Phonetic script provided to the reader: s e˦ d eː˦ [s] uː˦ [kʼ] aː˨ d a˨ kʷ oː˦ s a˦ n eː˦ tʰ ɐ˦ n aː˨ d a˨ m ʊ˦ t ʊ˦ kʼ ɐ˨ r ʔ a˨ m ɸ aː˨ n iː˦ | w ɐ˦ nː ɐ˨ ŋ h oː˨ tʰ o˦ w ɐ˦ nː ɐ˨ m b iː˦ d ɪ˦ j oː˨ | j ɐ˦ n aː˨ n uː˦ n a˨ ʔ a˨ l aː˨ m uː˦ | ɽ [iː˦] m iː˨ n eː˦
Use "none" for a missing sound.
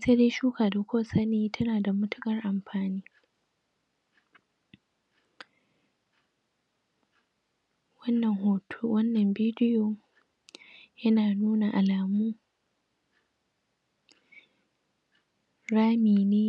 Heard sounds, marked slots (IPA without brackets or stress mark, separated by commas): ʃ, k, aː˦